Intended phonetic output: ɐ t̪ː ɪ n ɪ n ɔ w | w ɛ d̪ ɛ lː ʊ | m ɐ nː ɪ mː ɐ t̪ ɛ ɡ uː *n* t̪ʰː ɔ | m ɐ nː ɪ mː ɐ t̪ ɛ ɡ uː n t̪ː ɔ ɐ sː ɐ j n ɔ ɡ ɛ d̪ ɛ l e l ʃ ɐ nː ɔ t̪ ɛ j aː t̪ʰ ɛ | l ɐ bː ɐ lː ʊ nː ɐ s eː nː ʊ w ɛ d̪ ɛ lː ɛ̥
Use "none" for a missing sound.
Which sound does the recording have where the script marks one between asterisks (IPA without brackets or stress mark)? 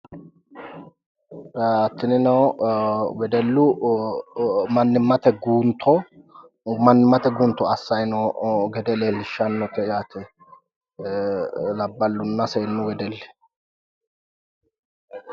n